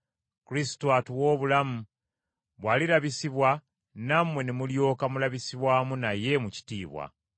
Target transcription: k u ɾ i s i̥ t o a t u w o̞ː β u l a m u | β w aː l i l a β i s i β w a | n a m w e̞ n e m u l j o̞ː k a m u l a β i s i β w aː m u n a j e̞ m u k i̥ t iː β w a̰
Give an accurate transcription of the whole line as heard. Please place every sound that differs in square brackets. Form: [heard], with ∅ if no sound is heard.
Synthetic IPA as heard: k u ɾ i s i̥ t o a t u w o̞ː β u l a m u | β w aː l i l a β i s i β w a | n a m w e̞ n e m u l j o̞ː k a m u l a β i s i β w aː m u n a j e̞ m u [c] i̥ t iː β w a̰